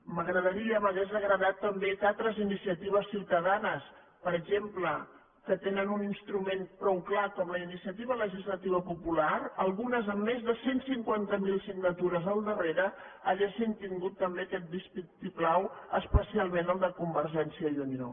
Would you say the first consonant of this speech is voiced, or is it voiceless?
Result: voiced